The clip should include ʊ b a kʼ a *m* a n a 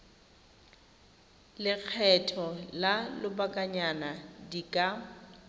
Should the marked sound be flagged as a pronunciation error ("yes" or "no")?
yes